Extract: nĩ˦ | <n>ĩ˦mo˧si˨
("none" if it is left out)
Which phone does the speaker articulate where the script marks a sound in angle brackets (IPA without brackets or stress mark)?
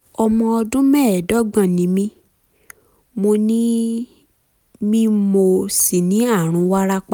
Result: m